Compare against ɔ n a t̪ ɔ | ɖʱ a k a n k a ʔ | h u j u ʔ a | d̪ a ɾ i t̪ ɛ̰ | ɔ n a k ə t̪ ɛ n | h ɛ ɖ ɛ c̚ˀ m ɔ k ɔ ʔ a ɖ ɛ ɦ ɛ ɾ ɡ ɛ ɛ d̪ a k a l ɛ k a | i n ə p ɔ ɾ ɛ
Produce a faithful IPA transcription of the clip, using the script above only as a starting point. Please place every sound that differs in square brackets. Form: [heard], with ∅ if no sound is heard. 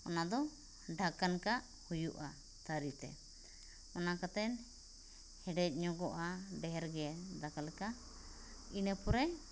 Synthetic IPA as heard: ɔ n a [d̪] ɔ | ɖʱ a k a n k a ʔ | h u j u ʔ a | [t̪] a ɾ i t̪ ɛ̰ | ɔ n a k [a] t̪ ɛ n | h ɛ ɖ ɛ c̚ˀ [ɲ] ɔ [ɡ] ɔ ʔ a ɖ ɛ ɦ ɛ ɾ ɡ ɛ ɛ d̪ a k a l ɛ k a | i n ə p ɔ ɾ ɛ